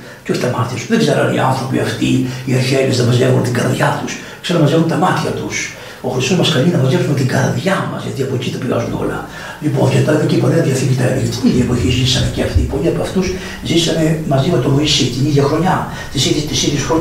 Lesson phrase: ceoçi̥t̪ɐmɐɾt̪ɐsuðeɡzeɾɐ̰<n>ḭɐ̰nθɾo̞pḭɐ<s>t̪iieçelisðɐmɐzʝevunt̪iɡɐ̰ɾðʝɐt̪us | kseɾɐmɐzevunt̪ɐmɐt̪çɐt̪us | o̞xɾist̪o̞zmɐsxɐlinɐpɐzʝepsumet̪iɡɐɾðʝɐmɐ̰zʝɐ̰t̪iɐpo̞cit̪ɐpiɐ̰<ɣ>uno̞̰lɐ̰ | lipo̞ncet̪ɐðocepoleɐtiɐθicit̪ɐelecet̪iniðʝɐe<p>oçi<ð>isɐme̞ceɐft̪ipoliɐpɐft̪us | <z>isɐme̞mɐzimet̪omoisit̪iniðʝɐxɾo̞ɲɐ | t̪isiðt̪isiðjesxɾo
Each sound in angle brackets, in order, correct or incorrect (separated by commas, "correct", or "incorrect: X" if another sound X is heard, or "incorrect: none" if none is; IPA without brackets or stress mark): correct, incorrect: f, incorrect: z, correct, incorrect: z, correct